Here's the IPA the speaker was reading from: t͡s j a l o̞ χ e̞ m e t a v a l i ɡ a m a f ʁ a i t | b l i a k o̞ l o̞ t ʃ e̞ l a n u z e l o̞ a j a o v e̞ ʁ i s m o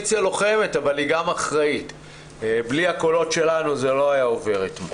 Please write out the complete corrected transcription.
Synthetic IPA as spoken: t͡s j a l o̞ χ e̞ m e t a v a l i ɡ a m a χ ʁ a i t | b l i a k o̞ l o̞ t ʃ e̞ l a n u z e l o̞ a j a o v e̞ ʁ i t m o

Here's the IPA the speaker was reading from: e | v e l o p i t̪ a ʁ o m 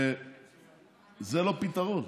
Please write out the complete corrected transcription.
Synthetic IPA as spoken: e | z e l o p i t̪ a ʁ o n

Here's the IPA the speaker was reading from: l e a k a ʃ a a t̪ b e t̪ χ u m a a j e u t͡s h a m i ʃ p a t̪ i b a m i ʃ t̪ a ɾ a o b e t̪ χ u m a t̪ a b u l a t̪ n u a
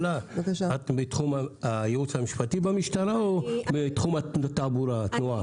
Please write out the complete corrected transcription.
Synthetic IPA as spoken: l a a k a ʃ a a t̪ b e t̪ χ u m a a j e u t͡s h a m i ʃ p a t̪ i b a m i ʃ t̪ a ɾ a o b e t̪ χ u m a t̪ a b u ɾ a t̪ n u a

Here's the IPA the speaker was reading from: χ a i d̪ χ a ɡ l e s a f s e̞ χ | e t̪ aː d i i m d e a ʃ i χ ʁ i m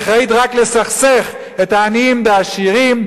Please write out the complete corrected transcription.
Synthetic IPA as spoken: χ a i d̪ ʁ a k l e s a χ s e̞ χ | e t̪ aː n i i m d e a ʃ i ʁ i m

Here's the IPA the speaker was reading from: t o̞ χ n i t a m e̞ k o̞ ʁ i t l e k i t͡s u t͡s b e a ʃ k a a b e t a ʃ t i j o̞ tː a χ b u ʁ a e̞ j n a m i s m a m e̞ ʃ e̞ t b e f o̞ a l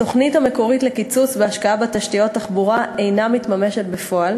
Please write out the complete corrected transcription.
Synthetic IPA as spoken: t o̞ χ n i t a m e̞ k o̞ ʁ i t l e k i t͡s u t͡s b e a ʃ k a a b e t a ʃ t i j o̞ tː a χ b u ʁ a e̞ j n a m i t m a m e̞ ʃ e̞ t b e f o̞ a l

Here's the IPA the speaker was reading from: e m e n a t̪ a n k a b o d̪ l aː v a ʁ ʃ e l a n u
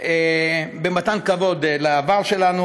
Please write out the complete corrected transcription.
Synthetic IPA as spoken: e b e m a t̪ a n k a v o d̪ l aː v a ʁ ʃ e l a n u

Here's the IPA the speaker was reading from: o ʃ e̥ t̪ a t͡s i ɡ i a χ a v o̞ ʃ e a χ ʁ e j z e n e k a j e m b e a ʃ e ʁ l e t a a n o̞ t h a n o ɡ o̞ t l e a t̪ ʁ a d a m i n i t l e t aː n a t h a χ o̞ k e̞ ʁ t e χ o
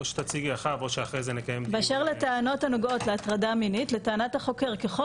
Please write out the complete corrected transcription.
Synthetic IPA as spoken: o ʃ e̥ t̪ a t͡s i ɡ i a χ a v o̞ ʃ e a χ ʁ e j z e n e k a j e m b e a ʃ e ʁ l e t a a n o̞ t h a n o ɡ o̞ t l e a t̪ ʁ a d a m i n i t l e t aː n a t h a χ o̞ k e̞ ʁ k e χ o

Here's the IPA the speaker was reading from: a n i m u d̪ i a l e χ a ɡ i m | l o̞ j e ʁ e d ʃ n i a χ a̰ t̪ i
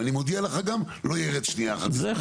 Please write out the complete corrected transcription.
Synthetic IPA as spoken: a n i m o d̪ i a l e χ a ɡ a m | l o̞ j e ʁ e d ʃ n i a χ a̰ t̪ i

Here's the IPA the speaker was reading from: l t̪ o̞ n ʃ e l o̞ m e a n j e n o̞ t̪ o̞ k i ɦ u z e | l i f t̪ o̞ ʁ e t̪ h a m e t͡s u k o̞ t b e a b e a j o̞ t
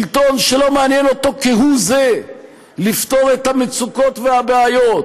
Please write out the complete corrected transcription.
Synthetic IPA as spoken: l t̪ o̞ n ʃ e l o̞ m e a n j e n o̞ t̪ o̞ k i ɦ u z e | l i f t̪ o̞ ʁ e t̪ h a m e t͡s u k o̞ t v e a b e a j o̞ t

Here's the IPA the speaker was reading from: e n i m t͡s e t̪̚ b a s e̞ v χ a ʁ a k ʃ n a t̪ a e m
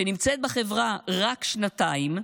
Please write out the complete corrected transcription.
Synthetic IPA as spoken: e n i m t͡s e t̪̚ b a χ e̞ v ʁ a ʁ a k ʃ n a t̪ a i m

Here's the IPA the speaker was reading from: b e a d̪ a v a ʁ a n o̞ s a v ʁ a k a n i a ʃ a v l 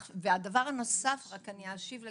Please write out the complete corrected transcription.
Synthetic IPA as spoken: v e a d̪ a v a ʁ a n o̞ s a f ʁ a k a n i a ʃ i v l

